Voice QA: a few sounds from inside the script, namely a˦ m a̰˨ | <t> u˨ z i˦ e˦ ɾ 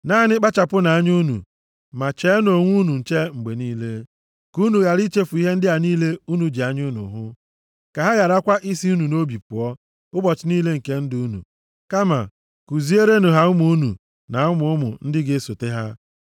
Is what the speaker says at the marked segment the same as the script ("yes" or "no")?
no